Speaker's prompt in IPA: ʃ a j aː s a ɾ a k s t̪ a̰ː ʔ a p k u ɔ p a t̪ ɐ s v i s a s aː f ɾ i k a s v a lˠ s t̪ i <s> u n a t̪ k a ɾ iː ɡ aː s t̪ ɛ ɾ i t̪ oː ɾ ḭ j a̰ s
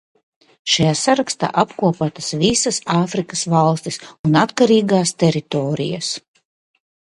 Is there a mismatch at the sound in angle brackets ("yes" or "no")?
no